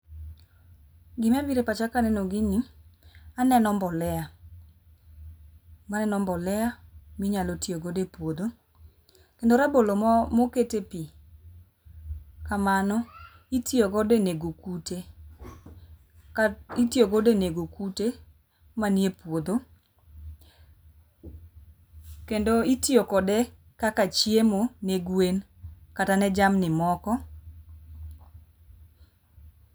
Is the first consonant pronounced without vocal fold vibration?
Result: no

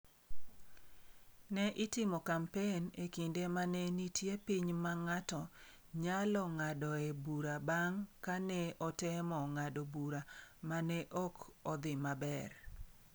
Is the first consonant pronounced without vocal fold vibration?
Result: no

